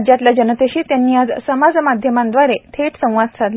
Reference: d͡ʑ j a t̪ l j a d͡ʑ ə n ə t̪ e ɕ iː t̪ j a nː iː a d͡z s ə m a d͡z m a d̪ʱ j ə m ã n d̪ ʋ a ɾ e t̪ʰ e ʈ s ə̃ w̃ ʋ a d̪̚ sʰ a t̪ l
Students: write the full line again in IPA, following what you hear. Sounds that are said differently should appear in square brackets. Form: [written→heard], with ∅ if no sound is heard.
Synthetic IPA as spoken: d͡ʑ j a t̪ l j a d͡ʑ ə n ə t̪ e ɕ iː t̪ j a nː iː a d͡z s ə m a d͡z m a d̪ʱ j ə m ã n d̪ ʋ a ɾ e t̪ʰ e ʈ s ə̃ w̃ ʋ a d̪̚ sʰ a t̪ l

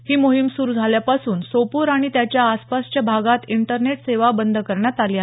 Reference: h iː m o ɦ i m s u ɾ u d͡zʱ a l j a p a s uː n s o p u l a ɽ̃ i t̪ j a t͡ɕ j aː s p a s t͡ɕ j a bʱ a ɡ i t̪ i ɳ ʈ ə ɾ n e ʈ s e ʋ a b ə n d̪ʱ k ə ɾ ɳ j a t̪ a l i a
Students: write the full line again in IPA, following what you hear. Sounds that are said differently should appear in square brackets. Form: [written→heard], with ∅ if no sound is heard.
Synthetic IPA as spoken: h iː m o ɦ i m s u ɾ u d͡zʱ a l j a p a s uː n s o p u [l→ɾ] a ɽ̃ i t̪ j a t͡ɕ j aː s p a s t͡ɕ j a bʱ a ɡ [i→a] t̪ i ɳ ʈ ə ɾ n e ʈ s e ʋ a b ə n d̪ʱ k ə ɾ ɳ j a t̪ a l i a

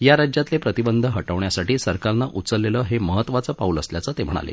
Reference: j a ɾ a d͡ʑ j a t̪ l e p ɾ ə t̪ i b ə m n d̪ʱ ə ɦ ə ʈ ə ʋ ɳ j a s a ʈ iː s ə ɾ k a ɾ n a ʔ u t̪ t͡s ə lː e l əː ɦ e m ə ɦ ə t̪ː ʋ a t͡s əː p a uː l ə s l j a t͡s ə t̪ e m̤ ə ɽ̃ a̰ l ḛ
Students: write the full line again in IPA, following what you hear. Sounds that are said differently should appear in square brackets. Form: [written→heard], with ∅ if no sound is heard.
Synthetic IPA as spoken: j a ɾ a d͡ʑ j a t̪ l e p ɾ ə t̪ i b ə [m→∅] n d̪ʱ ə ɦ ə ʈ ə ʋ ɳ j a s a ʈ iː s ə ɾ k a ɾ n a ʔ u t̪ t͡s ə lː e l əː ɦ e m ə ɦ ə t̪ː ʋ a t͡s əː p a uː l ə s l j a t͡s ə t̪ e m̤ ə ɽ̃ a̰ l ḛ

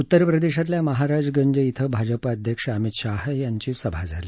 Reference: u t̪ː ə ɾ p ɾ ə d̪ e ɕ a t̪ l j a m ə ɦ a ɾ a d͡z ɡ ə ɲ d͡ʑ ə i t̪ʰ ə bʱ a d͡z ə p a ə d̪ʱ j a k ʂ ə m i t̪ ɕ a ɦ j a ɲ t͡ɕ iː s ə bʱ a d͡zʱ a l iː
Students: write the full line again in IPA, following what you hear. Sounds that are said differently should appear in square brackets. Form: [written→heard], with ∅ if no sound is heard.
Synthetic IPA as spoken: u t̪ː ə ɾ p ɾ ə d̪ e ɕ a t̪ l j a m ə ɦ a ɾ a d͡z ɡ ə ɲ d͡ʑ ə i t̪ʰ ə bʱ a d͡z ə p a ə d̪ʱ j [a→ə] k ʂ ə m i t̪ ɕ a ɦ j a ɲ t͡ɕ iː s ə bʱ a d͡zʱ a l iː

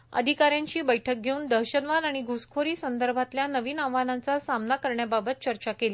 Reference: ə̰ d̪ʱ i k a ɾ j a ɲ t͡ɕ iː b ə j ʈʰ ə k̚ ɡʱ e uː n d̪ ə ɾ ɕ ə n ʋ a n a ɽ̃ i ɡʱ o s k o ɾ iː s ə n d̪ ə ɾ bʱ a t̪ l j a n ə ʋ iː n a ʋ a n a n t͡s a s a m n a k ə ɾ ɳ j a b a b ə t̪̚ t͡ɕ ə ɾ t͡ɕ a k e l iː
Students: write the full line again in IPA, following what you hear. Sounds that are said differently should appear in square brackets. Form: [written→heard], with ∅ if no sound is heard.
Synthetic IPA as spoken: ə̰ d̪ʱ i k a ɾ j a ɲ t͡ɕ iː b ə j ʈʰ ə k̚ ɡʱ e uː n d̪ ə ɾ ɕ ə n ʋ a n a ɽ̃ i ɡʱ [o→u] s [k→kʰ] o ɾ iː s ə n d̪ ə ɾ bʱ a t̪ l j a n ə ʋ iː n a ʋ a n a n t͡s a s a m n a k ə ɾ ɳ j a b a b ə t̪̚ t͡ɕ ə ɾ t͡ɕ a k e l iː

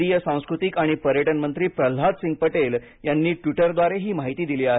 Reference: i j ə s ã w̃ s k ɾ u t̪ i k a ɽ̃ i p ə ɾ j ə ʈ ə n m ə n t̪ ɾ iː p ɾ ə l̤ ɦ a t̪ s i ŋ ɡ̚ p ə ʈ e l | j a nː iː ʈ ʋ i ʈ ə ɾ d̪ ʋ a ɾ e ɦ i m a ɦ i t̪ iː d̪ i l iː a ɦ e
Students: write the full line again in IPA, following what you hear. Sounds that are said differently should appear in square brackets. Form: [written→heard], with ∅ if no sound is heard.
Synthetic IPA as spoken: i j ə s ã w̃ s k ɾ u t̪ i k a ɽ̃ i p ə ɾ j ə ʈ ə n m ə n t̪ ɾ iː p ɾ ə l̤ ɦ a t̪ s i ŋ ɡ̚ p ə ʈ e l | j a nː iː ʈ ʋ i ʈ ə ɾ d̪ ʋ a ɾ e ɦ [i→iː] m a ɦ i t̪ iː d̪ i l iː a ɦ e

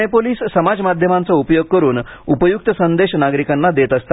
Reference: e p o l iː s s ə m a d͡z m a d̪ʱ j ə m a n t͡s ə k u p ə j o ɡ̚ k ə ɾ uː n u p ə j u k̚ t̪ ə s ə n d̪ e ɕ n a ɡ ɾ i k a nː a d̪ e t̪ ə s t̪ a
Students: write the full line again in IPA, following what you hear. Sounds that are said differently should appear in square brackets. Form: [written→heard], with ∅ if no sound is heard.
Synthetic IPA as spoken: e p o l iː s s ə m a d͡z m a d̪ʱ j ə m a n t͡s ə [k→∅] u p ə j o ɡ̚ k ə ɾ uː n u p ə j u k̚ t̪ ə s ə n d̪ e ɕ n a ɡ ɾ i k a nː a d̪ e t̪ ə s t̪ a

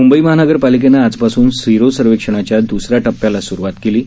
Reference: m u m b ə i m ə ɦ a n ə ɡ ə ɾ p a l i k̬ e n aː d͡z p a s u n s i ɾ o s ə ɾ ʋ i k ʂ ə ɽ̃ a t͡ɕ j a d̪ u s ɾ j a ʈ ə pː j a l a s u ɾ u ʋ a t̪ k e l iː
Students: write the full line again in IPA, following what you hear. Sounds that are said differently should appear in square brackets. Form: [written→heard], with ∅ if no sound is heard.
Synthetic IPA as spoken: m u m b ə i m ə ɦ a n ə ɡ ə ɾ p a l i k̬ e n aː d͡z p a s [u→uː] n s i ɾ o s ə ɾ ʋ [i→e] k ʂ ə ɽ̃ a t͡ɕ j a d̪ u s ɾ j a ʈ ə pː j a l a s u ɾ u ʋ a t̪ k e l iː

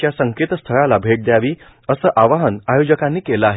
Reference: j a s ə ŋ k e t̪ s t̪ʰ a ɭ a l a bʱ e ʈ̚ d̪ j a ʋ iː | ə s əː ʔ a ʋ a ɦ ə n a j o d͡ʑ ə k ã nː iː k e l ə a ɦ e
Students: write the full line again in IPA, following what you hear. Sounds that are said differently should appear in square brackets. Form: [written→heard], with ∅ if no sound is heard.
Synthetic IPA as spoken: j a s ə ŋ k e t̪ s t̪ʰ [a→ə] ɭ a l a bʱ e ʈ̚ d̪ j a ʋ iː | ə s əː ʔ a ʋ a ɦ ə n a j o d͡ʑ ə k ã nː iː k e l ə a ɦ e

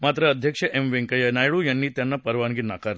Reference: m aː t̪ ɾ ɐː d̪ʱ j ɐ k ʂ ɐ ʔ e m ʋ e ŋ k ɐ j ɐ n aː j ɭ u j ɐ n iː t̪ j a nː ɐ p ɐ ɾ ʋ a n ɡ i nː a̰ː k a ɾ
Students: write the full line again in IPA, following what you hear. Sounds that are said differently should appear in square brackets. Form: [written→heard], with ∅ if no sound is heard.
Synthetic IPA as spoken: m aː t̪ ɾ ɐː d̪ʱ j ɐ k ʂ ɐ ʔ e m ʋ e ŋ k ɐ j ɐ n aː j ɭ u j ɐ [n→nː] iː t̪ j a nː ɐ p ɐ ɾ ʋ a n ɡ i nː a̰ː k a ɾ

